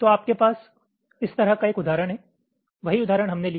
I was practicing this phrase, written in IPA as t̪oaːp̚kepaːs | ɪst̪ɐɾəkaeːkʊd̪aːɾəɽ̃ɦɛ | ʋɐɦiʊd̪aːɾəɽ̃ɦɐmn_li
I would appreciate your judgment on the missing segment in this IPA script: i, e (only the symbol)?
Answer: e